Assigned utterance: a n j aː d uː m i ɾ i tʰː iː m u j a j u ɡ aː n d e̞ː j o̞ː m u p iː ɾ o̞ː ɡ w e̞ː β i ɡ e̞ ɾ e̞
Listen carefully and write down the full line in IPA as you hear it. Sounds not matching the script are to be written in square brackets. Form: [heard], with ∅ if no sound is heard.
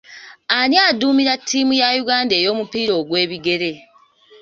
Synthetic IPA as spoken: a n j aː d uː m i ɾ [a] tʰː iː m u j a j u ɡ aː n d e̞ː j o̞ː m u p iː ɾ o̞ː ɡ w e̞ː β i ɡ e̞ ɾ e̞